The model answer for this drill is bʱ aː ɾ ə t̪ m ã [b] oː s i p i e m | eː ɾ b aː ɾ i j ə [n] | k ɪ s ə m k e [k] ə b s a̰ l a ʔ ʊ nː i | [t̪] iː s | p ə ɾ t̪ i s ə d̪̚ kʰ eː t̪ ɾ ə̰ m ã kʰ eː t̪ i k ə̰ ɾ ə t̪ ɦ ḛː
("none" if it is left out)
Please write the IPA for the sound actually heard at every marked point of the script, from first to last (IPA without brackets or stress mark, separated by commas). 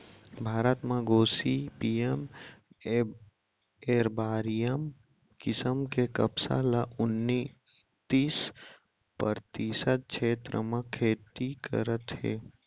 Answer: ɡ, m, k, t̪